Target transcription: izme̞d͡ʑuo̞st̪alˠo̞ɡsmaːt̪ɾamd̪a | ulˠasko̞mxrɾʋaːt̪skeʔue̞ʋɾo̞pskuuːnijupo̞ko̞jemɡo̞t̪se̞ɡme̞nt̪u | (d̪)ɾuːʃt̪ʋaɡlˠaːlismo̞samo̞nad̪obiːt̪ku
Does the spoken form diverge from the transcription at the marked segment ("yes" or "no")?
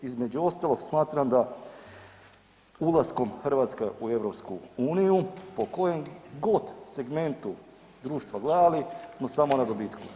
no